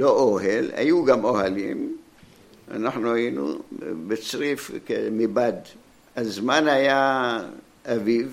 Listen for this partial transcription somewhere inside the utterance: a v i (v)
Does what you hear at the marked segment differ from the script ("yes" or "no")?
no